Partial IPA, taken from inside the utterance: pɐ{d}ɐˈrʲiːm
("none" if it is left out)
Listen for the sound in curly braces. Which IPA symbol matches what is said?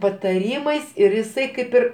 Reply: t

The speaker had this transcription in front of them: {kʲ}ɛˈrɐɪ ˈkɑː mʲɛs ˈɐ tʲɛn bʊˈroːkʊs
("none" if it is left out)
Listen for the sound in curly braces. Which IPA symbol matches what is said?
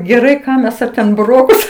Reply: ɡʲ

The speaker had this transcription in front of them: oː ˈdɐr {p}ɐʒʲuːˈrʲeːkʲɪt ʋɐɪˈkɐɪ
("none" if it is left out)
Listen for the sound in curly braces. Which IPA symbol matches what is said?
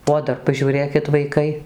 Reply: p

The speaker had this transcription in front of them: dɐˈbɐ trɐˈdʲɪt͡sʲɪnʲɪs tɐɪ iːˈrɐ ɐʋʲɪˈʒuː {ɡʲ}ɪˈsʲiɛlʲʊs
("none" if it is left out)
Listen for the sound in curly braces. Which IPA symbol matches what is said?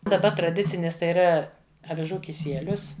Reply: kʲ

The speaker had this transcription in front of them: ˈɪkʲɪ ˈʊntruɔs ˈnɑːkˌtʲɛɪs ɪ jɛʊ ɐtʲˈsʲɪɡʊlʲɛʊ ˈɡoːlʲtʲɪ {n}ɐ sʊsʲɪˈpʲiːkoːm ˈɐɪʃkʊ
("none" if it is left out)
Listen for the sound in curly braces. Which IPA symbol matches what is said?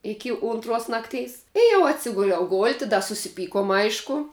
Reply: d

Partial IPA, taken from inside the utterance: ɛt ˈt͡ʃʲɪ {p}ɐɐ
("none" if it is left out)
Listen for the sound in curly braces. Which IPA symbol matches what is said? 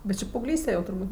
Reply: p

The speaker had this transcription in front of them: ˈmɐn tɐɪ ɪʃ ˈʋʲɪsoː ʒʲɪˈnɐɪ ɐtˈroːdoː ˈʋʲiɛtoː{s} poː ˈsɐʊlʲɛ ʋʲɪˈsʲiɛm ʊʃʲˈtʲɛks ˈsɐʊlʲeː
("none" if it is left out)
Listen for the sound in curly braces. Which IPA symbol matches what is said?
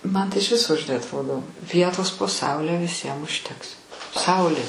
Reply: s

